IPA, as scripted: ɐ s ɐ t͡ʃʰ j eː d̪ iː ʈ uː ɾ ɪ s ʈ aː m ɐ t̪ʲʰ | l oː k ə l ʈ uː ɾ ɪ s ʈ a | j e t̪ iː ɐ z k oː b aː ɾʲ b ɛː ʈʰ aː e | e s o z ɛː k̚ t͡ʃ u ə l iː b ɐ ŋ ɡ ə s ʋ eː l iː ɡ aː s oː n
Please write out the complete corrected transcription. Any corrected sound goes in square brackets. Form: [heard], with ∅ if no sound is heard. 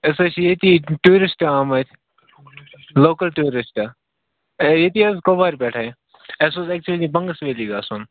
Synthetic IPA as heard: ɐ s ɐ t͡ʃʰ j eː [t̪] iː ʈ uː ɾ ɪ s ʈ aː m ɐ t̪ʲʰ | l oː k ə l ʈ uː ɾ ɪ s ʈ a | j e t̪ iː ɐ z k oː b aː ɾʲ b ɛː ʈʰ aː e | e s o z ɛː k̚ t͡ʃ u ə l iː b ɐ ŋ ɡ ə s ʋ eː l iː ɡ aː s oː n